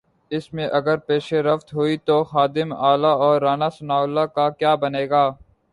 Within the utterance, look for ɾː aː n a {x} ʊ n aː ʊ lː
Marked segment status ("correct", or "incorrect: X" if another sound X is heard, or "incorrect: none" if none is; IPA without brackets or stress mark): incorrect: s